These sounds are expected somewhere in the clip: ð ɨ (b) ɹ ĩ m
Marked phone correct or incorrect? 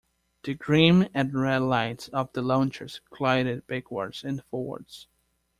incorrect